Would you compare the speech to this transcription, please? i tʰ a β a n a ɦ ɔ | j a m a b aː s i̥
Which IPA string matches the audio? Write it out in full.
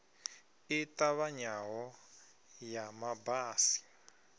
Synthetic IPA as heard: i t a β a ɲ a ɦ ɔ | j a m a b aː s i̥